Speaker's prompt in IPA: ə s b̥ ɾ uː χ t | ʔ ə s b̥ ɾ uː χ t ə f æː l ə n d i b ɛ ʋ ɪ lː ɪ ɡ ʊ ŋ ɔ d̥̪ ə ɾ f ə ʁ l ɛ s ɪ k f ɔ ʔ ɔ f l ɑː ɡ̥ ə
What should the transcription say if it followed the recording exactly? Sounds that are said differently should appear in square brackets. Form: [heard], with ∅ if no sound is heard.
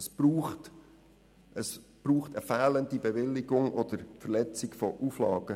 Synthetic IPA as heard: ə s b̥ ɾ uː χ t | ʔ ə s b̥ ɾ uː χ t ə f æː l ə n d i b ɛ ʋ ɪ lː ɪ ɡ ʊ ŋ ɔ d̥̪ ə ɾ f ə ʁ l ɛ [t͡s] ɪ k f ɔ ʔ [u] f l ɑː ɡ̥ ə